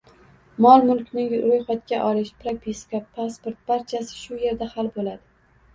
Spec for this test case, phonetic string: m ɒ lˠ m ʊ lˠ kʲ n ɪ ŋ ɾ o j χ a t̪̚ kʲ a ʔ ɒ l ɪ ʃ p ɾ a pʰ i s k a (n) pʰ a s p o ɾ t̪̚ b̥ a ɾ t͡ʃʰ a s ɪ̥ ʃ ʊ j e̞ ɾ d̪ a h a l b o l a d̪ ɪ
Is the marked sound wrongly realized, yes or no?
yes